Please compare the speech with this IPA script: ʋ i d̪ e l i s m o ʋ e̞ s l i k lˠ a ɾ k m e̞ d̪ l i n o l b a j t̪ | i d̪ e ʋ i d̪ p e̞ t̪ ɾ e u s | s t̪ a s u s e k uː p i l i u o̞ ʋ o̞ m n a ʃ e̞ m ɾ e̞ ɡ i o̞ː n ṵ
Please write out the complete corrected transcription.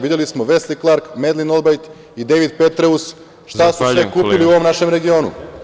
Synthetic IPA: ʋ i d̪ e l i s m o ʋ e̞ s l i k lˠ a ɾ k m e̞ d̪ l i n o l b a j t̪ | i d̪ e ʋ i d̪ p e̞ t̪ ɾ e u s | ʃ t̪ a s u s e k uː p i l i u o̞ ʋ o̞ m n a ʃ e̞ m ɾ e̞ ɡ i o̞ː n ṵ